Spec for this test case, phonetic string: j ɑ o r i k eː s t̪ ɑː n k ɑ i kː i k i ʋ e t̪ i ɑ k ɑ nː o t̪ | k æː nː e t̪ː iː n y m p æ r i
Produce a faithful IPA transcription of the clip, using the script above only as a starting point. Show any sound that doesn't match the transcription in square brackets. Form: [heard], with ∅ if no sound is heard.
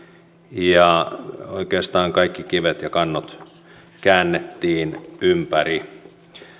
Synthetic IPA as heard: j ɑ o [∅] i k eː s t̪ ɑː [ŋ] k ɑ i kː i k i ʋ e t̪ [j] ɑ k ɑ nː o t̪ | k æː nː e t̪ː iː n y m p æ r i